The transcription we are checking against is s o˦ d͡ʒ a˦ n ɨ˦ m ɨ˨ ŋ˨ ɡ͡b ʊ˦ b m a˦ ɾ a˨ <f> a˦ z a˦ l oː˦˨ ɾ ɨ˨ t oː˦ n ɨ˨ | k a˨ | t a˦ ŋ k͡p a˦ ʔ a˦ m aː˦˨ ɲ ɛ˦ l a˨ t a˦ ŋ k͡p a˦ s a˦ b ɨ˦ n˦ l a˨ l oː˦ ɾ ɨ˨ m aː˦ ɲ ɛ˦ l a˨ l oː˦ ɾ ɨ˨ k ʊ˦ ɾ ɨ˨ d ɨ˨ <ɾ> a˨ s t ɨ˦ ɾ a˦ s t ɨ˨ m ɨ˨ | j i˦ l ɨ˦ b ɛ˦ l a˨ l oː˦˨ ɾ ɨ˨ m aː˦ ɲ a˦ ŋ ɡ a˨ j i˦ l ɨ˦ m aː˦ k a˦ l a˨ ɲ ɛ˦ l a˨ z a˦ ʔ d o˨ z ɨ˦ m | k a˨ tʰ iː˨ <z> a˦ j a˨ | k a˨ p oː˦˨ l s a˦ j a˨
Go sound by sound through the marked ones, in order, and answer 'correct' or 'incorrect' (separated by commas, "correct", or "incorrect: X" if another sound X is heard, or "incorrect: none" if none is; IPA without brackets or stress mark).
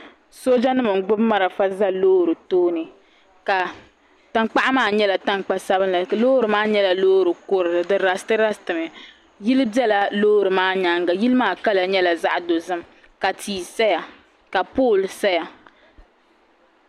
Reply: correct, correct, incorrect: s